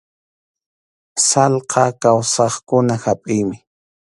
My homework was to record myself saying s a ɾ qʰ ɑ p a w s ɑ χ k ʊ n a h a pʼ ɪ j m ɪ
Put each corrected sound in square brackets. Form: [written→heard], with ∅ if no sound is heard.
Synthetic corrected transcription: s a [ɾ→l] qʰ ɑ [p→k] a w s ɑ χ k ʊ n a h a pʼ ɪ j m ɪ

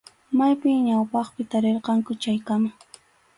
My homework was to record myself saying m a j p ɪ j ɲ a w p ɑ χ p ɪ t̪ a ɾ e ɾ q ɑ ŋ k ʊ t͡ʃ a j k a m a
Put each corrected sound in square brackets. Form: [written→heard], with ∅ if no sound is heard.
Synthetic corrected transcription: m a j p ɪ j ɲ a w p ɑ χ p ɪ t̪ a ɾ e ɾ q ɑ ŋ k ʊ t͡ʃ a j k a m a

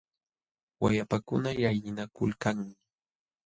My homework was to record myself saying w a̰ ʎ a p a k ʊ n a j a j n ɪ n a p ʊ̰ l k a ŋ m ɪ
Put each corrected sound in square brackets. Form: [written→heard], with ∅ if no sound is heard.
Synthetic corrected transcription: w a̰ [ʎ→j] a p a k ʊ n a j a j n ɪ n a [p→k] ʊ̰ l k a ŋ m ɪ

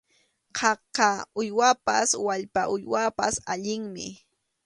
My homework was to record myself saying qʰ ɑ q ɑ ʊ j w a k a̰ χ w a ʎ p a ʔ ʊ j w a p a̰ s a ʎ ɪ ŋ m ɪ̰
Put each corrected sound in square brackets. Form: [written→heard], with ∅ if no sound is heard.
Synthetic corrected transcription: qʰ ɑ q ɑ ʊ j w a [k→p] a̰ [χ→s] w a ʎ p a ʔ ʊ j w a p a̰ s a ʎ ɪ ŋ m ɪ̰

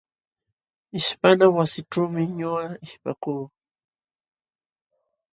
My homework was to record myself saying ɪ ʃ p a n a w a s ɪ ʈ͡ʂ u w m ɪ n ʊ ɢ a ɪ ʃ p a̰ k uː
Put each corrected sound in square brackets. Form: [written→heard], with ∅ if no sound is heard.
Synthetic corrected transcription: ɪ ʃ p a n a w a s ɪ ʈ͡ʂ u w m ɪ [n→ɲ] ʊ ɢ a ɪ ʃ p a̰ k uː

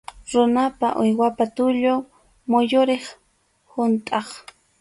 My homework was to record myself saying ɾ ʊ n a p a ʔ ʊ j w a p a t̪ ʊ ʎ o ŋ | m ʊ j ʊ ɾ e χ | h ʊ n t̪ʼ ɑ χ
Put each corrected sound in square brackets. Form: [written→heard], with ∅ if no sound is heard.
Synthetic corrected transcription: ɾ ʊ n a p a ʔ ʊ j w a p a t̪ ʊ ʎ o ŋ | m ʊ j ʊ ɾ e χ | h ʊ n t̪ʼ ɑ χ

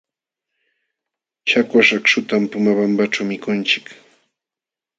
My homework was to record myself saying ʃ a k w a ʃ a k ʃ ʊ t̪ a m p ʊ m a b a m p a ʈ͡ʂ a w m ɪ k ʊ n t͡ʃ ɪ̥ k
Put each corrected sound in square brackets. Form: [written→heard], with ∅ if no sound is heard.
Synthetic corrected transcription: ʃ a k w a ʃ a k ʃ ʊ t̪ a m p ʊ m a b a m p a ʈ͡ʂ a w m ɪ k ʊ n t͡ʃ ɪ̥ k

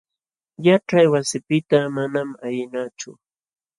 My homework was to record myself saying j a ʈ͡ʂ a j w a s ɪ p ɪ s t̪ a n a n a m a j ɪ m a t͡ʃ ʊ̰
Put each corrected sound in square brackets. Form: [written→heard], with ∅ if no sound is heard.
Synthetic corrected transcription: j a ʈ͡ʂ a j w a s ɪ p ɪ [s→∅] t̪ a [n→m] a n a m a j ɪ [m→n] a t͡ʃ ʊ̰

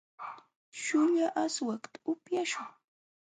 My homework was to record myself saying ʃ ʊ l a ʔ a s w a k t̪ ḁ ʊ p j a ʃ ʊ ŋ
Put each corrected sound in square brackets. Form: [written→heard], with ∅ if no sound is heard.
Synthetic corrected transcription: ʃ ʊ [l→ʎ] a ʔ a s w a k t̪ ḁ ʊ p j a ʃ ʊ ŋ

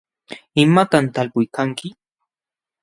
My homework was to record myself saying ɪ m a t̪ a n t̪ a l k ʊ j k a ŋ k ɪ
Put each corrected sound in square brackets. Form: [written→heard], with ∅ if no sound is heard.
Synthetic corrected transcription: ɪ m a t̪ a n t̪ a l [k→p] ʊ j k a ŋ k ɪ

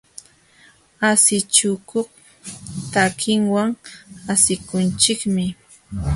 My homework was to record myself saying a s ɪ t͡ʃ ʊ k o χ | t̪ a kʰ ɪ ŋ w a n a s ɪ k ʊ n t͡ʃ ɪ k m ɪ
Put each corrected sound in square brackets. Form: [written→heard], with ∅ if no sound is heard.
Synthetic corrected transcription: a s ɪ t͡ʃ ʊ k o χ | t̪ a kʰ ɪ ŋ w a [n→ŋ] a s ɪ k ʊ n t͡ʃ ɪ k m ɪ

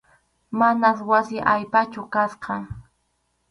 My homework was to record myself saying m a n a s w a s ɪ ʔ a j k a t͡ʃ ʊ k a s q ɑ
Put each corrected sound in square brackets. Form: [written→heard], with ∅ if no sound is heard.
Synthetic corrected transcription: m a n a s w a s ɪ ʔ a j [k→p] a t͡ʃ ʊ k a s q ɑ

